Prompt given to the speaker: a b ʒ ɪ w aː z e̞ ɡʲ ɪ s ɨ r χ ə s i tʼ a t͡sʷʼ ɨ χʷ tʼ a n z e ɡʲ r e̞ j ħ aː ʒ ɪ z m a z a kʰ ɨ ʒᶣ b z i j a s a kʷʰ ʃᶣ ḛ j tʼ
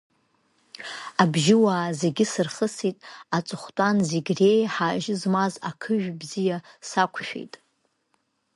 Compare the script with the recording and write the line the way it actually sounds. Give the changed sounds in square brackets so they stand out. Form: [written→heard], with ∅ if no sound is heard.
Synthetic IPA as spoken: a b ʒ ɪ w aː z e̞ ɡʲ ɪ s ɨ r χ ə s i tʼ a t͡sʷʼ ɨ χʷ tʼ a n z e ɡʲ r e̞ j ħ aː ʒ ɪ z m a z a kʰ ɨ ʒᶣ b z i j a s a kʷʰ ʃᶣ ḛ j tʼ